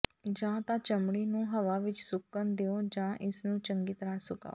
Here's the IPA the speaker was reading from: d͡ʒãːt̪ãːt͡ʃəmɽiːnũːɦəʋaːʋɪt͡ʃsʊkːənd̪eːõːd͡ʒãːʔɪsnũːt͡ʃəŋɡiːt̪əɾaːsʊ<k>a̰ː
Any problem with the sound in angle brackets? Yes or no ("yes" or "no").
no